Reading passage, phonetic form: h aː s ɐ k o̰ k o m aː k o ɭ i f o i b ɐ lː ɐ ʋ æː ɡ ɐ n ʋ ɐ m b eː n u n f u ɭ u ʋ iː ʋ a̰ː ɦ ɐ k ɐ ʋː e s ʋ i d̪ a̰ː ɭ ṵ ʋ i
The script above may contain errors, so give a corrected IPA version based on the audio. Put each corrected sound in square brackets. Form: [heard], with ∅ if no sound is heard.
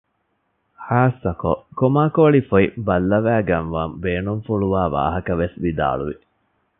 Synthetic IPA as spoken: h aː s ɐ k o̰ k o m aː k o ɭ i f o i b ɐ lː ɐ ʋ æː ɡ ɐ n ʋ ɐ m b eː n u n f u ɭ u ʋ [aː] ʋ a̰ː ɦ ɐ k ɐ [ʋ] e s ʋ i d̪ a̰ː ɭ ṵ ʋ i